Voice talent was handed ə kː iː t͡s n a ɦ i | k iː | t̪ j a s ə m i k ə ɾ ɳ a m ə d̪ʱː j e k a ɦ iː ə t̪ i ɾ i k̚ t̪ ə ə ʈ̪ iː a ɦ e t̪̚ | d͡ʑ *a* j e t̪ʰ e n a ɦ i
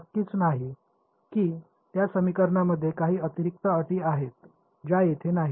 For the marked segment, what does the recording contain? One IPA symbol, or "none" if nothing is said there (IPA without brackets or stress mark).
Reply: a